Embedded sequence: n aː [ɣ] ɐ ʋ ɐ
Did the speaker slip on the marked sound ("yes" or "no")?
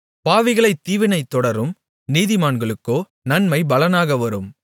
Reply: no